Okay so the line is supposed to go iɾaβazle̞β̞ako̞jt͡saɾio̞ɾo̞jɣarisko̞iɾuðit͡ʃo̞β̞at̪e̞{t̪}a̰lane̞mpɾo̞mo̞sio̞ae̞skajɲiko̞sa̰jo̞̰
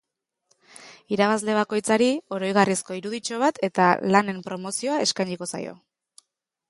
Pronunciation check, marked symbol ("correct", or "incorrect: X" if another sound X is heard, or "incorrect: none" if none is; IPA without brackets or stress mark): correct